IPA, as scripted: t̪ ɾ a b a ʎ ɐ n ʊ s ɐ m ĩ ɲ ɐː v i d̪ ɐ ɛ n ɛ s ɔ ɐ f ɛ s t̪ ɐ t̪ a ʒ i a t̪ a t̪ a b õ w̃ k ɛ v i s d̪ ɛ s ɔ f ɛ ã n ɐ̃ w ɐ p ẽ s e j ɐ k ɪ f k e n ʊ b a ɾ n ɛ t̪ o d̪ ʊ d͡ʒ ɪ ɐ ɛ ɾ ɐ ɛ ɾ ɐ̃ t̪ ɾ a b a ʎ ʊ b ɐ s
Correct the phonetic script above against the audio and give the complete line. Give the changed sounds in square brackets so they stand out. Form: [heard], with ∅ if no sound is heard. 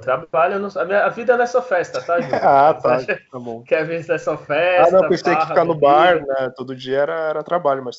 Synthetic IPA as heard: t̪ ɾ a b a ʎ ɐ n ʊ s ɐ m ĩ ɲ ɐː v i d̪ ɐ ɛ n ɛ s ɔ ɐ f ɛ s t̪ ɐ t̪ a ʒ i a t̪ a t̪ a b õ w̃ k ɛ v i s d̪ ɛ s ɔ f ɛ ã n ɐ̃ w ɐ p ẽ s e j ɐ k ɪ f k [a] n ʊ b a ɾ n ɛ t̪ o d̪ ʊ d͡ʒ [i] ɐ ɛ ɾ ɐ ɛ ɾ [ɐ] t̪ ɾ a b a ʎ ʊ [m] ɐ s